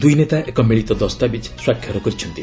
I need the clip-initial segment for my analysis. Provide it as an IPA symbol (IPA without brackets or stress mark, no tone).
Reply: d̪